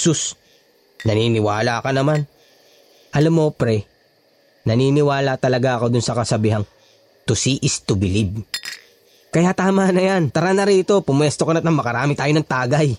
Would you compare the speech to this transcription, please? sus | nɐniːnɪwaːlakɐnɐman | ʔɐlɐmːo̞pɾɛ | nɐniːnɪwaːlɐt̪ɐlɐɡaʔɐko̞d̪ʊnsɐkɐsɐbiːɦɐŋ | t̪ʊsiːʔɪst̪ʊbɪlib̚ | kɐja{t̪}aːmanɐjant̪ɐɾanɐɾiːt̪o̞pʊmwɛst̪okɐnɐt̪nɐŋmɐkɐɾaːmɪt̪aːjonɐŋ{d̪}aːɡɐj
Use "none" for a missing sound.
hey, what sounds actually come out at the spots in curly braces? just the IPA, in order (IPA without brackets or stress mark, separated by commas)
t̪, t̪